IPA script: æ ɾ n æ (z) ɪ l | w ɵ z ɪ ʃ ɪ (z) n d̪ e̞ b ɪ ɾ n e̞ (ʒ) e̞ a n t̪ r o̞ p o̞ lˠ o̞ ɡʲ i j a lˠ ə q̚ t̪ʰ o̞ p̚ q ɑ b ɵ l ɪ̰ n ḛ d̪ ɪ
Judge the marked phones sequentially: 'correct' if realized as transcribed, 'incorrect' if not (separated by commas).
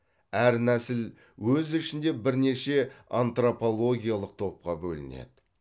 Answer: incorrect, incorrect, incorrect